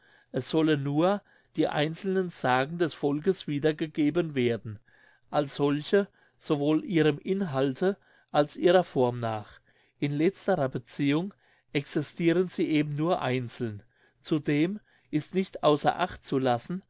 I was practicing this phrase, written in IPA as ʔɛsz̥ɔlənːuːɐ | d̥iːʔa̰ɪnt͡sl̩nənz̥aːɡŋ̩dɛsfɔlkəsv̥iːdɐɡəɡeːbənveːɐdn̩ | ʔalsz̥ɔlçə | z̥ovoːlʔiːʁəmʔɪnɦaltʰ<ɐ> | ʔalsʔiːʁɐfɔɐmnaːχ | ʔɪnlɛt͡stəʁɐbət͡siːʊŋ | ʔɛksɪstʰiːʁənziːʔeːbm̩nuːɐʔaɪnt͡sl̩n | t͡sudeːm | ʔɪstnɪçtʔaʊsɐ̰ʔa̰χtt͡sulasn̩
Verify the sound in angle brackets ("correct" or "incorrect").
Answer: incorrect